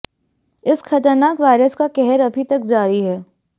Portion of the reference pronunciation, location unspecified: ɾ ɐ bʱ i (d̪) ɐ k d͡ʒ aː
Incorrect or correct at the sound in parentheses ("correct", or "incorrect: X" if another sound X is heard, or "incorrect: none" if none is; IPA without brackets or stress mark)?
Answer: incorrect: t̪